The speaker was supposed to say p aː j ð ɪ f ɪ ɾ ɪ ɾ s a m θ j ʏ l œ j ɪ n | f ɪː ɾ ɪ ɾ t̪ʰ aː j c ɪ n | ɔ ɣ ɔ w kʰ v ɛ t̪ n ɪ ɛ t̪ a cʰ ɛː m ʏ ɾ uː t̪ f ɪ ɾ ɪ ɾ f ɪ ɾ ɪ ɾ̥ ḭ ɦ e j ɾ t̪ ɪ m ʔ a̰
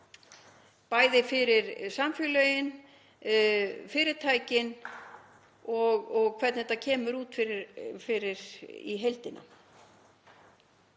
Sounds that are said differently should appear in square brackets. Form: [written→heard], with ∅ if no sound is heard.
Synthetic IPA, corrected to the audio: p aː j ð ɪ f ɪ ɾ ɪ ɾ s a m [θ→f] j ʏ l œ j ɪ n | f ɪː ɾ ɪ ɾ t̪ʰ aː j c ɪ n | ɔ ɣ ɔ [w→ɣ] kʰ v ɛ t̪ n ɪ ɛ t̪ a cʰ ɛː m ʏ ɾ uː t̪ f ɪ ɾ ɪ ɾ f ɪ ɾ ɪ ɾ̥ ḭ ɦ e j [ɾ→l] t̪ ɪ [m→n] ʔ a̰

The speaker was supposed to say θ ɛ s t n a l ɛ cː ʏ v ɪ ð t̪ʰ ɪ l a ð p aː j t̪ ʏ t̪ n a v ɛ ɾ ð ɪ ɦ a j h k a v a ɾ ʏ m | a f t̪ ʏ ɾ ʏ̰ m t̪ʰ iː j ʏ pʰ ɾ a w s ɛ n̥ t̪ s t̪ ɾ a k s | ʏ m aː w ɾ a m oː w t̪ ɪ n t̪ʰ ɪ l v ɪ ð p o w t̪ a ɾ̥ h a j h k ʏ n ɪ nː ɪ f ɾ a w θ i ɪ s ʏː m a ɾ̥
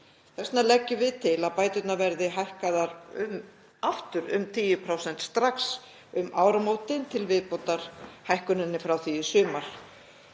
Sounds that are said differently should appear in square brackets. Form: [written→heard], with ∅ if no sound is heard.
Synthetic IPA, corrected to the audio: θ ɛ s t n a l ɛ cː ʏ v ɪ ð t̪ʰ ɪ l a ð p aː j t̪ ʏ t̪ n a v ɛ ɾ ð ɪ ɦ a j h k a [v→ð] a ɾ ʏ m | a f t̪ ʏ ɾ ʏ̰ m t̪ʰ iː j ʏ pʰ ɾ a w s ɛ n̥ t̪ s t̪ ɾ a k s | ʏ m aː w ɾ a m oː w t̪ ɪ n t̪ʰ ɪ l v ɪ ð p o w t̪ a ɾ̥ h a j h k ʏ n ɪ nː ɪ f ɾ a w θ i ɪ s ʏː m a ɾ̥

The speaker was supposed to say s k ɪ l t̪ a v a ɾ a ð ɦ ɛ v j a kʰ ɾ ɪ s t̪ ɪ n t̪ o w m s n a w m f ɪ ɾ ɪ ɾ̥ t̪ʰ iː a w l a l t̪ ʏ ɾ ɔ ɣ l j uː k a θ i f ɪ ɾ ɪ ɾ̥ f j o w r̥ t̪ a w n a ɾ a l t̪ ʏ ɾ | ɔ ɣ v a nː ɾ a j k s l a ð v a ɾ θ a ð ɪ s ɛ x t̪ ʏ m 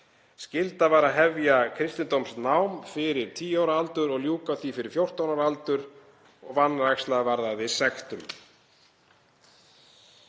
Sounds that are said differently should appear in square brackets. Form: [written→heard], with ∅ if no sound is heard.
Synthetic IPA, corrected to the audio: s [k→c] ɪ l t̪ a v a ɾ a ð ɦ ɛ v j a kʰ ɾ ɪ s t̪ ɪ n t̪ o w m s n a w m f ɪ ɾ ɪ ɾ̥ t̪ʰ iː a w [l→ɾ] a l t̪ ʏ ɾ ɔ ɣ l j uː k a θ i f ɪ ɾ ɪ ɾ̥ f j o w r̥ t̪ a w n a ɾ a l t̪ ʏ ɾ | ɔ ɣ v a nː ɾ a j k s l a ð v a ɾ [θ→ð] a ð ɪ s ɛ x t̪ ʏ m

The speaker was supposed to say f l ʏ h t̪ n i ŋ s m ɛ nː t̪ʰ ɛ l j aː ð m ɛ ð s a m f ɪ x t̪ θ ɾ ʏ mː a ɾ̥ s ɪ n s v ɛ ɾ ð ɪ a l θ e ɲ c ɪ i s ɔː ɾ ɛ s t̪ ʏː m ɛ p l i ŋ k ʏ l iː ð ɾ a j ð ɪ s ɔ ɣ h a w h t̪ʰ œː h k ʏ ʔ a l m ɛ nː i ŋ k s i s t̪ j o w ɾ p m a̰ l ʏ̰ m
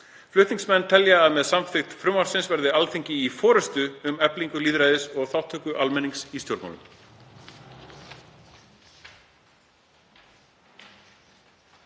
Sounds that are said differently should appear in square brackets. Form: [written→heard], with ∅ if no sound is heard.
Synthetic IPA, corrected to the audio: f l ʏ h t̪ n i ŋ s m ɛ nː t̪ʰ ɛ l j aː ð m ɛ ð s a m f ɪ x t̪ [θ→f] ɾ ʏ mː a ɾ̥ s ɪ n s v ɛ ɾ ð ɪ a l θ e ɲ c ɪ i [s→f] ɔː ɾ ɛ s t̪ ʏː m ɛ p l i ŋ k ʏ l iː ð ɾ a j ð ɪ s ɔ ɣ [h→θ] a w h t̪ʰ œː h k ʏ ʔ a l m ɛ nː i ŋ k s i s t̪ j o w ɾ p m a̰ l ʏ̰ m

